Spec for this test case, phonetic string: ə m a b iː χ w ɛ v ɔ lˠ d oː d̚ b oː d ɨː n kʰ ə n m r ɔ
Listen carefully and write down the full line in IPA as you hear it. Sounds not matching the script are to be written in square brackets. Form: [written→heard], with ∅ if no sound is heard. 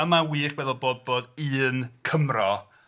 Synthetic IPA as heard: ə m a [b→w] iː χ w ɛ [v→ð] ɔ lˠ [d→b] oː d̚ b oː d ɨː n kʰ ə [n→∅] m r ɔ